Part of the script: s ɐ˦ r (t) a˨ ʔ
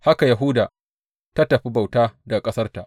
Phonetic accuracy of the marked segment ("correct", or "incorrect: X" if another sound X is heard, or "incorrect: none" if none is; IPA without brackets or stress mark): correct